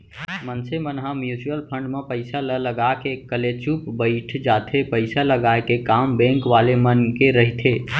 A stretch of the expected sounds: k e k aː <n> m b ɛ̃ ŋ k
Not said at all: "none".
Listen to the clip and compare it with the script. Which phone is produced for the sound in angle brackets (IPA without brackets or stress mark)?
none